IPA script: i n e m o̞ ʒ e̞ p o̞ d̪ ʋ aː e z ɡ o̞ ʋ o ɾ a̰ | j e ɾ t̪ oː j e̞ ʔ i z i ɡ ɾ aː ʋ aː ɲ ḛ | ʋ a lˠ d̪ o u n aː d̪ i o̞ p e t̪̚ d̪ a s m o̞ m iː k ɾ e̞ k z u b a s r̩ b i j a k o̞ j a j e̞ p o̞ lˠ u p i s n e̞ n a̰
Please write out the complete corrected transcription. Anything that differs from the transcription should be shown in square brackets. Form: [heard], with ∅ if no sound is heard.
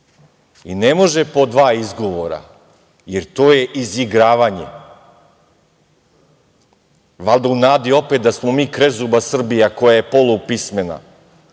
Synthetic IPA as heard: i n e m o̞ ʒ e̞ p o̞ d̪ ʋ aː [i] z ɡ o̞ ʋ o ɾ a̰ | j e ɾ t̪ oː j e̞ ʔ i z i ɡ ɾ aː ʋ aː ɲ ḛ | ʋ a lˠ d̪ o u n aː d̪ i o̞ p e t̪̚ d̪ a s m o̞ m iː k ɾ e̞ [∅] z u b a s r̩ b i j a k o̞ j a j e̞ p o̞ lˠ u p i s [m] e̞ n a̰